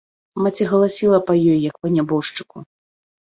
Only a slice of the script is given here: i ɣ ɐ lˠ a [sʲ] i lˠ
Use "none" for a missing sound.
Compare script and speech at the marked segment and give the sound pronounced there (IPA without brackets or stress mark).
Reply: sʲ